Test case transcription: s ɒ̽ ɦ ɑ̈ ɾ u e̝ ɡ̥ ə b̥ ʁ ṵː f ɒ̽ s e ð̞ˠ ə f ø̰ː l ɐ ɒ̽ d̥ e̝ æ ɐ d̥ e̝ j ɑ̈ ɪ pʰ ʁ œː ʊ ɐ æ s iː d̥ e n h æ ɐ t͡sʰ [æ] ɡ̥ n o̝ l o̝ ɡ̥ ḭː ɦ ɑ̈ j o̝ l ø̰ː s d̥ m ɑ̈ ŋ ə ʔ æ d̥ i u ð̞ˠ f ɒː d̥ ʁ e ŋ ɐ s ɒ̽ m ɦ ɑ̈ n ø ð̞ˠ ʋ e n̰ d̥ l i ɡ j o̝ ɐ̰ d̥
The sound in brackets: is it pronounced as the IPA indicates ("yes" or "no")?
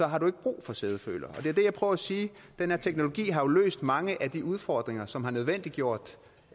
no